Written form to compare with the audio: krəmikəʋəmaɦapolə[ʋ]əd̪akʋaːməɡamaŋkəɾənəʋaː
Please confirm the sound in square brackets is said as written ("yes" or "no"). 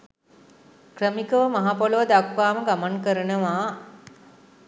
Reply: yes